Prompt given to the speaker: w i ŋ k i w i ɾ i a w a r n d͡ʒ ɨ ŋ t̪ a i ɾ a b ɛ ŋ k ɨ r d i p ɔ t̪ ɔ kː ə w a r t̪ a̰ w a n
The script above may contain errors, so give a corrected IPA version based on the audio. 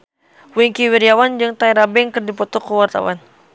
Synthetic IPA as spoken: w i ŋ k i w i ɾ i a w a n d͡ʒ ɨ ŋ t̪ a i ɾ a b ɛ ŋ k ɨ r d i p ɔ t̪ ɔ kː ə w a r t̪ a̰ w a n